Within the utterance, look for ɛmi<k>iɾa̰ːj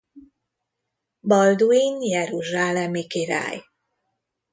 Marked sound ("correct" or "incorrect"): correct